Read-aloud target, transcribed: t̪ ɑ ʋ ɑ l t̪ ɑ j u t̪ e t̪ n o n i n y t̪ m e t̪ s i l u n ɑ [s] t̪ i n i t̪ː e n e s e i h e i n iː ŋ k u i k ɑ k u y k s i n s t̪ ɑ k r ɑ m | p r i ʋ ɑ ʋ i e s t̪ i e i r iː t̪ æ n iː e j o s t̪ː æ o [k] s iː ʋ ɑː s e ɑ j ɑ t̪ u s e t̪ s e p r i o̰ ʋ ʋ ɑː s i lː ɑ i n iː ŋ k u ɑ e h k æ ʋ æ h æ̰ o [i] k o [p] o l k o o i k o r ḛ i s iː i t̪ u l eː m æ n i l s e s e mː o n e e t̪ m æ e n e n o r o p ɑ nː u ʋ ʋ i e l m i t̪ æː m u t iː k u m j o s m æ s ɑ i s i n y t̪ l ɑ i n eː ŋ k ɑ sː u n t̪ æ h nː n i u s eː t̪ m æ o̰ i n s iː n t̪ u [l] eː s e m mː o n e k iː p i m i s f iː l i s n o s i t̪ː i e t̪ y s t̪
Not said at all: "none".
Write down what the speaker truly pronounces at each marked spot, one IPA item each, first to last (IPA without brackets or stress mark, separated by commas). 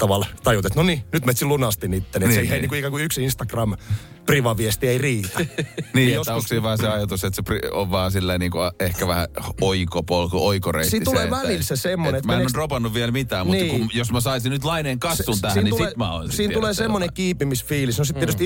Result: s, k, i, p, l